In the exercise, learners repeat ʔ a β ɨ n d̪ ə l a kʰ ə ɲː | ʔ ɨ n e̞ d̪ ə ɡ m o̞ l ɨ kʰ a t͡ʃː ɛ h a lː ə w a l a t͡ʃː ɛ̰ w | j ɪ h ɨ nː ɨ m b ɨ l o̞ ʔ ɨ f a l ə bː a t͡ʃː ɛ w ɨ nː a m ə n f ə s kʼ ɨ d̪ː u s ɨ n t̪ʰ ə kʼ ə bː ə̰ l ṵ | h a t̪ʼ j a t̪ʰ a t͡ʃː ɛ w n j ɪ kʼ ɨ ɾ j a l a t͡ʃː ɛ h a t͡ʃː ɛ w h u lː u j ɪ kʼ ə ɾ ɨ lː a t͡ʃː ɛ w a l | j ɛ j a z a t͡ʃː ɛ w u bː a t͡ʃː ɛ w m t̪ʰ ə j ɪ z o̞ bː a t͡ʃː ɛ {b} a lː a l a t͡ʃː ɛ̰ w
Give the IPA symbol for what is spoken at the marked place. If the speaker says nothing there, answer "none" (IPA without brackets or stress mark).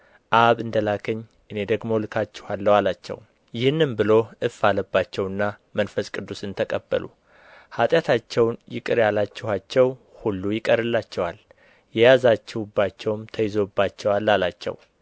w